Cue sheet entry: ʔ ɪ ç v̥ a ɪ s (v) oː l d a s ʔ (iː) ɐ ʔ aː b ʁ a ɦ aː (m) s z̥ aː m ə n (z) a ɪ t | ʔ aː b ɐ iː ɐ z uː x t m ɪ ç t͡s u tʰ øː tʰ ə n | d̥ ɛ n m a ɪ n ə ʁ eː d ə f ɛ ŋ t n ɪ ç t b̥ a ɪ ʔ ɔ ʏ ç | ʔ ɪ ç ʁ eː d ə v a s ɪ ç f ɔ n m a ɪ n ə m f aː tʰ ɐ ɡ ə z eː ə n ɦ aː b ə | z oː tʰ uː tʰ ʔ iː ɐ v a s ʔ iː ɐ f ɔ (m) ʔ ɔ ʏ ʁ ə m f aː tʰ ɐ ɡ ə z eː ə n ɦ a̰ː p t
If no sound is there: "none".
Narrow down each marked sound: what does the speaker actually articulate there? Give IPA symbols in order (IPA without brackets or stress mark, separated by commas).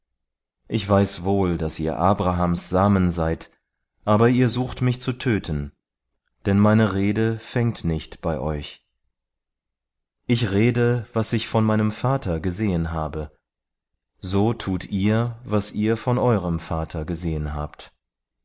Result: v, iː, m, z, n